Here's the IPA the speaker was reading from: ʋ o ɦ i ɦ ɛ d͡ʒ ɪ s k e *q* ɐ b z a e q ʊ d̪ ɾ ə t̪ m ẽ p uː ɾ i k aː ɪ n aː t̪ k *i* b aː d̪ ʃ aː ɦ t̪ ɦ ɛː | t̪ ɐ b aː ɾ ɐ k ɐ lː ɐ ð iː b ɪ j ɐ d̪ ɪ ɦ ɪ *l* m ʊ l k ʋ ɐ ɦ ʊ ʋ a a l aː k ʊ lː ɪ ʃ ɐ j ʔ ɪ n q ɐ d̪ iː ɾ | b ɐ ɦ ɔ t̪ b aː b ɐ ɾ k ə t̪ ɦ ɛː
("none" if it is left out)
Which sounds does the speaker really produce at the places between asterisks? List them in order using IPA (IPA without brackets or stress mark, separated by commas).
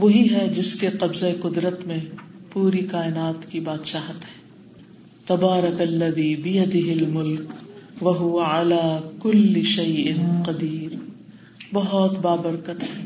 q, i, l